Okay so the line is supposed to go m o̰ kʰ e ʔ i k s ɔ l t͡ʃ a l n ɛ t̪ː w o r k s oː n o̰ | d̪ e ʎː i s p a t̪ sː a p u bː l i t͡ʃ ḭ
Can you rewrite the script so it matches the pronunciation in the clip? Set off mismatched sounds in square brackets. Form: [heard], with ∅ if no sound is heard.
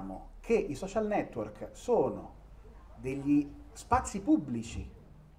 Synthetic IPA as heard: m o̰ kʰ e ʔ i [∅] s ɔ [∅] t͡ʃ a l n ɛ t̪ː w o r k s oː n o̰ | d̪ e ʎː i s p a t̪ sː [i] p u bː l i t͡ʃ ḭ